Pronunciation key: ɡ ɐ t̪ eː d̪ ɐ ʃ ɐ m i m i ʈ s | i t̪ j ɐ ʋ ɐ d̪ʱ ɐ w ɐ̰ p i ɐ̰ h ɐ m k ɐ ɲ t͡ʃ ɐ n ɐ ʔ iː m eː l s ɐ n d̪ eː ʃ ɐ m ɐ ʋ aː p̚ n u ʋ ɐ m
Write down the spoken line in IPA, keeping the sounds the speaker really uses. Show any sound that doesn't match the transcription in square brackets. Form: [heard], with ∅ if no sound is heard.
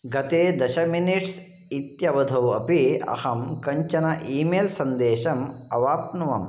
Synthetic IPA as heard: ɡ ɐ t̪ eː d̪ ɐ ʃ ɐ m i [n] i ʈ s | i t̪ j ɐ ʋ ɐ d̪ʱ ɐ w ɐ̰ p i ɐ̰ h ɐ m k ɐ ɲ t͡ʃ ɐ n ɐ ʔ iː m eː l s ɐ n d̪ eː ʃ ɐ m ɐ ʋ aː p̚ n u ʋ ɐ m